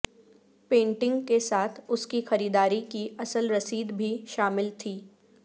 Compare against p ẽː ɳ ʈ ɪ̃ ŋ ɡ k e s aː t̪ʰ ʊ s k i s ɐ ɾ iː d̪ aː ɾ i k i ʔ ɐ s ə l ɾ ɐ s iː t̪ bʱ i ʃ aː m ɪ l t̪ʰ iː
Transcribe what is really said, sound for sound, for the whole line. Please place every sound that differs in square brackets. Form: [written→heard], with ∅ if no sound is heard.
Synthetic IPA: p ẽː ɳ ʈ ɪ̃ ŋ ɡ k e s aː t̪ʰ ʊ s k i [s→x] ɐ ɾ iː d̪ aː ɾ i k i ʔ ɐ s ə l ɾ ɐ s iː [t̪→d̪] bʱ i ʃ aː m ɪ l t̪ʰ iː